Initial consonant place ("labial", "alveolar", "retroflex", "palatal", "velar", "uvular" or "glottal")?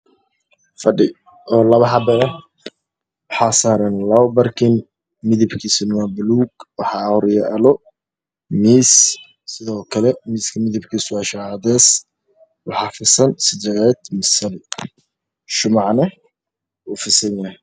labial